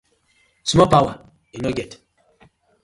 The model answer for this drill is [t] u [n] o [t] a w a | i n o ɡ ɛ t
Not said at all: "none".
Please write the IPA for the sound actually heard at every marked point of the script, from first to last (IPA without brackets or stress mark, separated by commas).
s, m, p